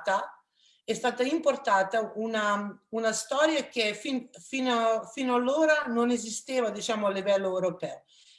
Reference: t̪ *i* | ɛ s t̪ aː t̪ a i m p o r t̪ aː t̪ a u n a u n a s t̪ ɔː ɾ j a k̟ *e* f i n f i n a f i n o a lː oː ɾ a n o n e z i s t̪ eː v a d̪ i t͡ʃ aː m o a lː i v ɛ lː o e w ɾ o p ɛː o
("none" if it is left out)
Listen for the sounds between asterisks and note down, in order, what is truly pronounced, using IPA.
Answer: a, e

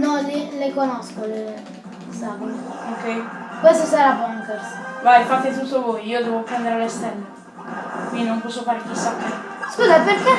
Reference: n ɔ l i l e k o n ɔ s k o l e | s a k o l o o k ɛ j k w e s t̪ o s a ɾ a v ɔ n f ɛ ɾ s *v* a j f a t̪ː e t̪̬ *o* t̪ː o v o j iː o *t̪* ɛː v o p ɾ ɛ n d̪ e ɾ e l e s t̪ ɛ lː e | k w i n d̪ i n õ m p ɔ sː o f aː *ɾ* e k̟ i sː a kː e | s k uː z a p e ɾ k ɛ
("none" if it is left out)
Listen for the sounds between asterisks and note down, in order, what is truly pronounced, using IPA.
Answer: v, u, d̪, ɾ

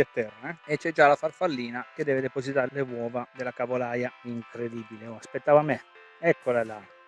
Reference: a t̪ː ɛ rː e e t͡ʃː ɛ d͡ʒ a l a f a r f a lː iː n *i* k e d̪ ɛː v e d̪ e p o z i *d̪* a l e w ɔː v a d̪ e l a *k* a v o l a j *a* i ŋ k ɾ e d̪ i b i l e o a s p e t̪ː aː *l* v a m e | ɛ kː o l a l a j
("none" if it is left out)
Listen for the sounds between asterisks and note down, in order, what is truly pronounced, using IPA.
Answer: a, t̪, k, a, none

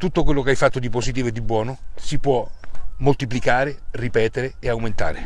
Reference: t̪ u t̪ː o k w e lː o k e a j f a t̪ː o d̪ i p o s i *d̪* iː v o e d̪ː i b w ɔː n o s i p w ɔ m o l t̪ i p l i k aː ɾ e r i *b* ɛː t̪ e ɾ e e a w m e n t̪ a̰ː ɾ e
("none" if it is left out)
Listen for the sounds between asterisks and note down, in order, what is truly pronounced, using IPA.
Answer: t̪, p

